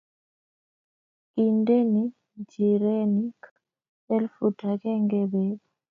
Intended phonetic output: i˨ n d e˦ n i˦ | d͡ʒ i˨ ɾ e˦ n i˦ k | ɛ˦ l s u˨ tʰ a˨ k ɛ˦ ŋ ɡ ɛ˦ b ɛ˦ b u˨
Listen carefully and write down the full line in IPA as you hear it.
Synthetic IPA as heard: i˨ n d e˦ n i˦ | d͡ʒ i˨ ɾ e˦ n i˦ k | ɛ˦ l f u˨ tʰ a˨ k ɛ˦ ŋ ɡ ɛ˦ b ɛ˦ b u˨